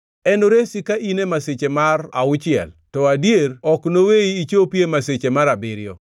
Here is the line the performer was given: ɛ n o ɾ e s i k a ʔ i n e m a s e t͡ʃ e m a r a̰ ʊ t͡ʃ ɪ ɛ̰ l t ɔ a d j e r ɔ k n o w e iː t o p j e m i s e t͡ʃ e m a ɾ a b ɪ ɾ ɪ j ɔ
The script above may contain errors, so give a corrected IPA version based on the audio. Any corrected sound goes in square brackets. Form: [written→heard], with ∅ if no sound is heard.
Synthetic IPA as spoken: ɛ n o ɾ e s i k a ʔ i n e m a s e t͡ʃ e m a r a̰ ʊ t͡ʃ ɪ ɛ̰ l t ɔ a d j e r ɔ k n o w e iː [t→t͡ʃ] o p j e m [i→a] s e t͡ʃ e m a ɾ a b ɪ ɾ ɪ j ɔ